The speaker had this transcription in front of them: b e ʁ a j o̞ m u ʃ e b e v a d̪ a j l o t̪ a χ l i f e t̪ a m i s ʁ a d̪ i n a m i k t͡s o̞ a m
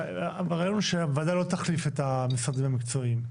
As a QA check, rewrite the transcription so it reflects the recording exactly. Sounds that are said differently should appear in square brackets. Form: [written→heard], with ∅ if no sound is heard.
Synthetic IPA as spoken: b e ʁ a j o̞ [m→n] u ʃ e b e v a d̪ a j l o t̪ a χ l i f e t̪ a m i s ʁ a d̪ i [n→m] a m i k t͡s o̞ [a→i] m